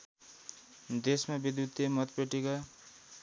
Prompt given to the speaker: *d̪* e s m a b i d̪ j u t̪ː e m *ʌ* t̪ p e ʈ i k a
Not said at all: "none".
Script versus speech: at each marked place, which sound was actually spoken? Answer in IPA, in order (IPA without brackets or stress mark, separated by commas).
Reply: d̪, ʌ